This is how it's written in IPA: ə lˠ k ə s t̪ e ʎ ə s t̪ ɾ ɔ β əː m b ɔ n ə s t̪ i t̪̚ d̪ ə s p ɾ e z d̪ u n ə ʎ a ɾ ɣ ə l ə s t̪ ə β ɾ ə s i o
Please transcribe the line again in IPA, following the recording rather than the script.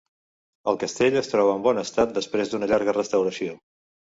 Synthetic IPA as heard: ə lˠ k ə s t̪ e ʎ ə s t̪ ɾ ɔ β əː m b ɔ n ə s t̪ a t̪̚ d̪ ə s p ɾ e z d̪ u n ə ʎ a ɾ ɣ ə r ə s t̪ ə w ɾ ə s i o